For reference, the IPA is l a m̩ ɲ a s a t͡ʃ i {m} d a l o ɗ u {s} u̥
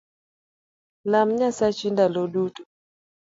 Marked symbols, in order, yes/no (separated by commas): no, no